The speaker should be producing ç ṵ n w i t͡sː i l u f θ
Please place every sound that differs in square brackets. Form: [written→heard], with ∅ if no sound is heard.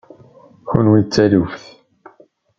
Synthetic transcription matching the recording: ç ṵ n w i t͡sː [i→æ] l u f θ